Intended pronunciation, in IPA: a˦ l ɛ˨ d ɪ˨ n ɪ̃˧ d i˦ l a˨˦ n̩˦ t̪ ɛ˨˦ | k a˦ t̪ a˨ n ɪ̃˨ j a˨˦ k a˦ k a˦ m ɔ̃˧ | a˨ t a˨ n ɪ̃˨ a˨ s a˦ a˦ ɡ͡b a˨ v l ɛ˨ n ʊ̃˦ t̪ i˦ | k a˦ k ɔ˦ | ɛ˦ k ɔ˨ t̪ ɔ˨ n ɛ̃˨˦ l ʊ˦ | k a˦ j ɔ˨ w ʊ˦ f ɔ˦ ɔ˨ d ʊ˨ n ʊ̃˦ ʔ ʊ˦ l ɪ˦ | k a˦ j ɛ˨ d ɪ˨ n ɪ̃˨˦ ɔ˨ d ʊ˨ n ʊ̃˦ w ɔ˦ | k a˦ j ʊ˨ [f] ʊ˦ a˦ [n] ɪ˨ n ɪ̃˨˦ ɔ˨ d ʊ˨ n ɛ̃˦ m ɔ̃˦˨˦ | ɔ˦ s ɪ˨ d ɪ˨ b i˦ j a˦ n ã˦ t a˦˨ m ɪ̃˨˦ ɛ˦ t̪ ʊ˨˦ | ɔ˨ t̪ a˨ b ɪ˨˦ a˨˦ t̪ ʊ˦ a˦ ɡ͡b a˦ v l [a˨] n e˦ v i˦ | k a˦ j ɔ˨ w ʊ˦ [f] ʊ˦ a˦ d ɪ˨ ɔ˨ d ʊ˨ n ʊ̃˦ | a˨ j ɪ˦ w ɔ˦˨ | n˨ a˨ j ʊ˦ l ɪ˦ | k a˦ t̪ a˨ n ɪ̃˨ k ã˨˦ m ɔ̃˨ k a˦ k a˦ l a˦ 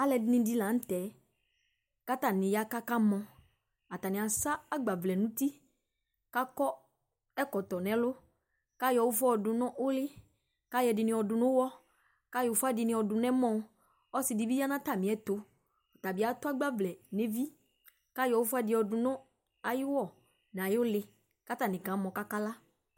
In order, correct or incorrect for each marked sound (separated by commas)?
correct, incorrect, incorrect, correct